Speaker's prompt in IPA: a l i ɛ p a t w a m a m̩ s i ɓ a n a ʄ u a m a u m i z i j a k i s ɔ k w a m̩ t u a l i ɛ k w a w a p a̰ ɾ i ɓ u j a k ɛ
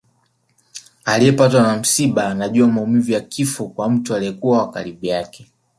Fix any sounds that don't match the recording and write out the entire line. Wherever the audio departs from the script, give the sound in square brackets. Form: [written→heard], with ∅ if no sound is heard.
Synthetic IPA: a l i ɛ p a t w a [m→n] a m̩ s i ɓ a n a ʄ u a m a u m i [z→v] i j a k i [s→f] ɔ k w a m̩ t u a l i ɛ k [w→u] a w a [p→k] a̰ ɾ i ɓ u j a k ɛ